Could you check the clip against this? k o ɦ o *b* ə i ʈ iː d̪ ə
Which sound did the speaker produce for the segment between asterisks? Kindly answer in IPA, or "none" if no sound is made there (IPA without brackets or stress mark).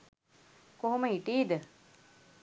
m